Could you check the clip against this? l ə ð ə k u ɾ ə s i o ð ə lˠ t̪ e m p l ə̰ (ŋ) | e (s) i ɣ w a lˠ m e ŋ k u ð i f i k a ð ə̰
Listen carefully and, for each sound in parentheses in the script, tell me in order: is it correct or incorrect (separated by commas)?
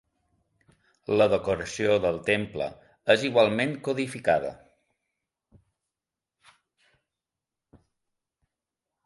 incorrect, incorrect